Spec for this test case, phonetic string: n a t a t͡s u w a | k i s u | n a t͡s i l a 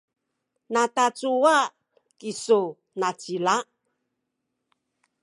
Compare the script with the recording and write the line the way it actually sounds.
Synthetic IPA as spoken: n a t a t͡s u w a | k i s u | n a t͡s i l a